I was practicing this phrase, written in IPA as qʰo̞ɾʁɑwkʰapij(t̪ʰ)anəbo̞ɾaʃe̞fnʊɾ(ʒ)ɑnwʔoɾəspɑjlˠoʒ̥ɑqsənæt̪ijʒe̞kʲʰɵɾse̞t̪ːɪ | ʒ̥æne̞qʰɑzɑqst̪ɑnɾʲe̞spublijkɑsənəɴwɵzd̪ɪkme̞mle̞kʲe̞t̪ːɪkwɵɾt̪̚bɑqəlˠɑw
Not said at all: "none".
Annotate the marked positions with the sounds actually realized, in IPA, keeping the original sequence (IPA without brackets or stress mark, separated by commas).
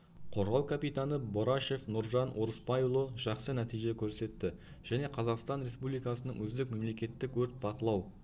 t̪, ʒ